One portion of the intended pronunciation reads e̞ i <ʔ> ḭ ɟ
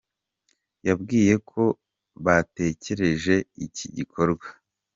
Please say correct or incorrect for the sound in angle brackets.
incorrect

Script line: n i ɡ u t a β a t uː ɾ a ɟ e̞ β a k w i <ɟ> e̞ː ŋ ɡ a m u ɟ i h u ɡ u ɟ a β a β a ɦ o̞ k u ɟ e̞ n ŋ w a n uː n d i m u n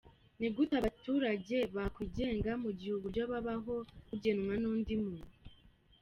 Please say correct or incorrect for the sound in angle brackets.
correct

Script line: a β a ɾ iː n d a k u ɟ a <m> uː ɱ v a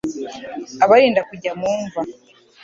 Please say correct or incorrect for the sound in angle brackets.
correct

